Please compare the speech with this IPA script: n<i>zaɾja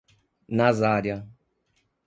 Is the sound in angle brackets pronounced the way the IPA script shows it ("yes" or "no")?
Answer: no